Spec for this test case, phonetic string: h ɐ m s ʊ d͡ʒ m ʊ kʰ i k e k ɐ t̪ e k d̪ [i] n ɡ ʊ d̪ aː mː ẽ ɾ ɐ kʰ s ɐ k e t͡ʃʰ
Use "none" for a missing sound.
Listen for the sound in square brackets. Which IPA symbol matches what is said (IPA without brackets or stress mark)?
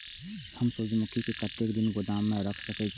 ɪ